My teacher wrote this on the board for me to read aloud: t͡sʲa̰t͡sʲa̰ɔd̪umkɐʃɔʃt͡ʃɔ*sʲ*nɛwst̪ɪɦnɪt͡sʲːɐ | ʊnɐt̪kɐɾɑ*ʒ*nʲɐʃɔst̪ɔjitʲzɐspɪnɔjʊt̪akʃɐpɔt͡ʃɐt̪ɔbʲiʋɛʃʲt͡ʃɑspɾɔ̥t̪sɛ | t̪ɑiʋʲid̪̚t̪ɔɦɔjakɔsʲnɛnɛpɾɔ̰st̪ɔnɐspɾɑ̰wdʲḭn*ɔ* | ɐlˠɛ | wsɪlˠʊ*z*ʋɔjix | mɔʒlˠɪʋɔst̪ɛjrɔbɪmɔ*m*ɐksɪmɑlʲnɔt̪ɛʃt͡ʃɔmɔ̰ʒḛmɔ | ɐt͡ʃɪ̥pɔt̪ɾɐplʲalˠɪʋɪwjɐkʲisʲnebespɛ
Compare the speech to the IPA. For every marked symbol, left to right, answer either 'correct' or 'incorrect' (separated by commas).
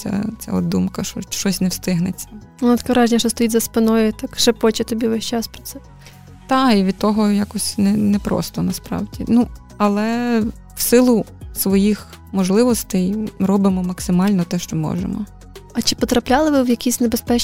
correct, correct, incorrect, incorrect, correct